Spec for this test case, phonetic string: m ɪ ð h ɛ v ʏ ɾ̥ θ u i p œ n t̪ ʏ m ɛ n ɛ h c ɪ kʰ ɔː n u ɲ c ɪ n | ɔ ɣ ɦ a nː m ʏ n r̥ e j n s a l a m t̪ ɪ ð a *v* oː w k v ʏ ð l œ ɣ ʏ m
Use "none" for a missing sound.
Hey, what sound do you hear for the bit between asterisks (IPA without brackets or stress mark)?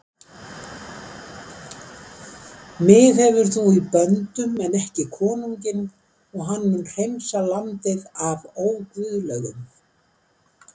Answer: v